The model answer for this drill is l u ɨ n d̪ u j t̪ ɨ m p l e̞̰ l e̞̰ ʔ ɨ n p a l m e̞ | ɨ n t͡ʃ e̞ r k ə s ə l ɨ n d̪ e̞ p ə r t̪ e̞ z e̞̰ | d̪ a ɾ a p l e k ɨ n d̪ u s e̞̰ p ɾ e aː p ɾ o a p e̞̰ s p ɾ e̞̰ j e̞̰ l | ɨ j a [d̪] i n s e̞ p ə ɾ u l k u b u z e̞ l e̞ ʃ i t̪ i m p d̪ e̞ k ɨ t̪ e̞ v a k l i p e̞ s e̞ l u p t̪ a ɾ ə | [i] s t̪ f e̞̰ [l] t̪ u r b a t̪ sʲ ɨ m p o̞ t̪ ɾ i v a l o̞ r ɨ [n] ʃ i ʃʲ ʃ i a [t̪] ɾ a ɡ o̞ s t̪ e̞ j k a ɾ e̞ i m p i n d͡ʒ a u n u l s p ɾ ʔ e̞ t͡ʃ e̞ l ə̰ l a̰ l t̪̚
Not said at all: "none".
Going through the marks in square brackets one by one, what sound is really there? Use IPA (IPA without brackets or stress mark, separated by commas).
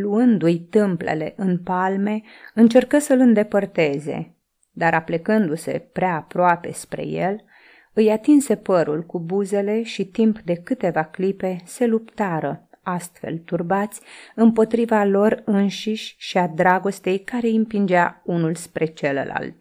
t̪, a, l, n, d̪